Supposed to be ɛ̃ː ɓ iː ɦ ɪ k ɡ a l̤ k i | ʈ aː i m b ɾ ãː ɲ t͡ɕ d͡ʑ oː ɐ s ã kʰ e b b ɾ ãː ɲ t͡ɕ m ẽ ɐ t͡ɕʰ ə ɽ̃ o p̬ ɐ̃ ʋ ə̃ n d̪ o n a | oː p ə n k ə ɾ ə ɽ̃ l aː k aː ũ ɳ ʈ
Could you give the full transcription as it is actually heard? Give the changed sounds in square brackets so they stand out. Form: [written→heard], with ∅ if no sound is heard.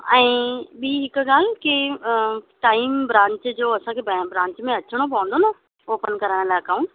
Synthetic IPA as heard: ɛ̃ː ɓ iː ɦ ɪ k ɡ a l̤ k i | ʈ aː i m b ɾ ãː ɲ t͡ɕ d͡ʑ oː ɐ s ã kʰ e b b ɾ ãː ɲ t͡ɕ m ẽ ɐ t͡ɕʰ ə ɽ̃ o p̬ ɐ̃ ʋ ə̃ n d̪ o n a | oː p ə n k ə ɾ ə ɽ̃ l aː k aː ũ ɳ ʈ